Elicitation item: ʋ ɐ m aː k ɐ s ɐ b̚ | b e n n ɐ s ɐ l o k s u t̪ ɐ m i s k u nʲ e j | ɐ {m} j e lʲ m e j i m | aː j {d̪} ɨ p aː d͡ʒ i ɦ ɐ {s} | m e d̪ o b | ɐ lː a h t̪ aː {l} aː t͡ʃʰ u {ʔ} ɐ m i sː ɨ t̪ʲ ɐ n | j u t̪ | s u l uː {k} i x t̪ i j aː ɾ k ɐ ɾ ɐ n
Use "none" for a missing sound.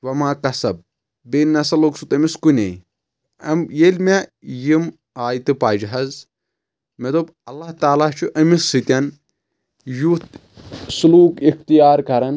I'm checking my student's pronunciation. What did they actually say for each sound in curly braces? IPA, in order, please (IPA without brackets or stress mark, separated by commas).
m, t̪, z, l, ʔ, k